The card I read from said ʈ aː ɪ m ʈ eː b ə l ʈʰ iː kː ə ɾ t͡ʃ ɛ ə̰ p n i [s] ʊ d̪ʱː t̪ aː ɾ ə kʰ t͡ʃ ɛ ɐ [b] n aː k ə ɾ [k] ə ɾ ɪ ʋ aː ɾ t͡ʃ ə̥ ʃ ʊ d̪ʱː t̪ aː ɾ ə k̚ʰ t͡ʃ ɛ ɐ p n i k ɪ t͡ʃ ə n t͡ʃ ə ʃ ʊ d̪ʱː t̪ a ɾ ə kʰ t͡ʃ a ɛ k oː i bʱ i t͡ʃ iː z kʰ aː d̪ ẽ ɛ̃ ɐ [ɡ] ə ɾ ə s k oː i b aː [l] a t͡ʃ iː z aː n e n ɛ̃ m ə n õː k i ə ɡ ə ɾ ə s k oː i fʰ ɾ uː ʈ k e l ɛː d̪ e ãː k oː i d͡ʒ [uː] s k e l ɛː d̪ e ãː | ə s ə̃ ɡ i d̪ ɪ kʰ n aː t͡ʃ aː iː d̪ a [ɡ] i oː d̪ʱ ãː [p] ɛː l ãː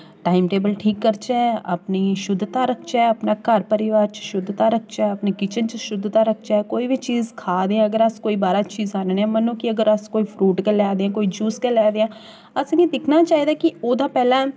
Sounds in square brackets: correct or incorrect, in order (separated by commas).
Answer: incorrect, incorrect, incorrect, correct, incorrect, correct, incorrect, correct